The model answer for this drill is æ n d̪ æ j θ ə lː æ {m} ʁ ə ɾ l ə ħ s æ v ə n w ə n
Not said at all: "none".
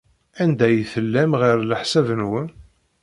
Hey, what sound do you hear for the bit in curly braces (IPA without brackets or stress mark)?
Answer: m